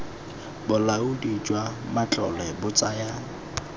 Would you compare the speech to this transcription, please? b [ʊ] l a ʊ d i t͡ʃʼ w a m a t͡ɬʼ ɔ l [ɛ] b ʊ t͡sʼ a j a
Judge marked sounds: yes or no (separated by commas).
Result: yes, yes